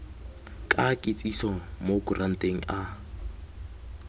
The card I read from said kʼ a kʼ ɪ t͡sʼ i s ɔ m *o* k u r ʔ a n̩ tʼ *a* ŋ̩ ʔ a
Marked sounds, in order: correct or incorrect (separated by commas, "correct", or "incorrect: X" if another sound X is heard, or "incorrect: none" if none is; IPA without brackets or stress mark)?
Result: correct, incorrect: e